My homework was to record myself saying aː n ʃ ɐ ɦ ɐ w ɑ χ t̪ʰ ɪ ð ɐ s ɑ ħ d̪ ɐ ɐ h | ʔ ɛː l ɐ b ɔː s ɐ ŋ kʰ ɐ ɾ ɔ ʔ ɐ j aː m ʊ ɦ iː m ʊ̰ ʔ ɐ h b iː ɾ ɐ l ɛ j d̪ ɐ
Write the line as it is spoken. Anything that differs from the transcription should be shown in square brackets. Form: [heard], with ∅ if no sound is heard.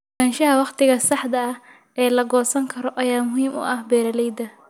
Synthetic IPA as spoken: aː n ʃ ɐ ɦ ɐ w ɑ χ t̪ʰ ɪ [ɣ] ɐ s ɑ ħ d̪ ɐ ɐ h | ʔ ɛː l ɐ [ɡ] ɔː s ɐ ŋ kʰ ɐ ɾ ɔ ʔ ɐ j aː m ʊ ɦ iː m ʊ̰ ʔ ɐ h b [ɛː] ɾ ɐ l ɛ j d̪ ɐ